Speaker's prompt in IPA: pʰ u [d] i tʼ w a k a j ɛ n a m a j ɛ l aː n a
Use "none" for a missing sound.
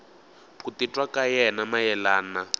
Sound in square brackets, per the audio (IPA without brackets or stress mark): t